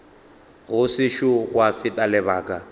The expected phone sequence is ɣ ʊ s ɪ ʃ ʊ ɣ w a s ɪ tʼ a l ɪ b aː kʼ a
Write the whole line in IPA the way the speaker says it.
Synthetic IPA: ɣ ʊ s ɪ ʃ ʊ ɣ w a f ɪ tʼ a l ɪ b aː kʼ a